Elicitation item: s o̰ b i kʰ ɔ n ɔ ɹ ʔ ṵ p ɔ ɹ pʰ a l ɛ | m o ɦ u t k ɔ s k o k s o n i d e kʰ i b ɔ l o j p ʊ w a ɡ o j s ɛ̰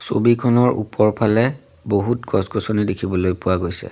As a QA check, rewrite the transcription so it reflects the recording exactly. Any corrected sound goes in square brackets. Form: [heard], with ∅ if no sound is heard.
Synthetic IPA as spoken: s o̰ b i kʰ ɔ n ɔ ɹ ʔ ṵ p ɔ ɹ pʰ a l ɛ | [b] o ɦ u t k ɔ s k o [∅] s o n i d e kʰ i b ɔ l o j p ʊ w a ɡ o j s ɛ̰